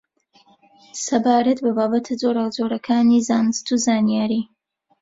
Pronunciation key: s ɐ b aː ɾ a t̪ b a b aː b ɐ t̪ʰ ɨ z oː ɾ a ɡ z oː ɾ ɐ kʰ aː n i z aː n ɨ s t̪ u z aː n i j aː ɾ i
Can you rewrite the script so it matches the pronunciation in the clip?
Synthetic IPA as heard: s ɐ b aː ɾ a t̪ b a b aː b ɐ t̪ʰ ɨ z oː ɾ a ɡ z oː ɾ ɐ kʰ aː n i z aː n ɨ s t̪ u z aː n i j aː ɾ i